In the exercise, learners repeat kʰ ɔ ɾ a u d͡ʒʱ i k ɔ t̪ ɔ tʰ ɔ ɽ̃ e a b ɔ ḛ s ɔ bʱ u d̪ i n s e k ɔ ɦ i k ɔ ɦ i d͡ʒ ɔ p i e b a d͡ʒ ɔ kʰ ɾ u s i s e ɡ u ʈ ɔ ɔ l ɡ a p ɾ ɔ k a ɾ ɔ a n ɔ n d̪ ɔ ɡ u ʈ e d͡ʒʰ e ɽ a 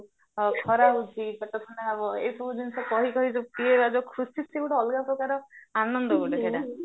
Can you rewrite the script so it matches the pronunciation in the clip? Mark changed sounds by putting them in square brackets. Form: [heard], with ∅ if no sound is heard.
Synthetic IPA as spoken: kʰ ɔ ɾ a u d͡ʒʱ i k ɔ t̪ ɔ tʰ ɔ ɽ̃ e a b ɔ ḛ s ɔ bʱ u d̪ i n s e k ɔ ɦ i k ɔ ɦ i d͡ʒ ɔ p i e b a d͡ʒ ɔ kʰ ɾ u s i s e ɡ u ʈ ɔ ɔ l ɡ a p ɾ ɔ k a ɾ ɔ a n ɔ n d̪ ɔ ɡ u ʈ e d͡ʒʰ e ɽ a